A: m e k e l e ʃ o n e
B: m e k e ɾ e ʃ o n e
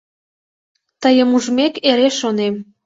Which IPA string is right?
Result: B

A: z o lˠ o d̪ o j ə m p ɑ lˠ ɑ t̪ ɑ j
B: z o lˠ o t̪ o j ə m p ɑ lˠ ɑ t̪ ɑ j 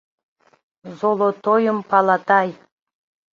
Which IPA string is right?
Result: B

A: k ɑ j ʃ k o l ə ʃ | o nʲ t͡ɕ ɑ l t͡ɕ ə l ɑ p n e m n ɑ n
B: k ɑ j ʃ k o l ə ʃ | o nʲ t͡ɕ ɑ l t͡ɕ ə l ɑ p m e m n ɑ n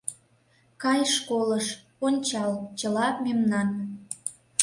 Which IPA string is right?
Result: B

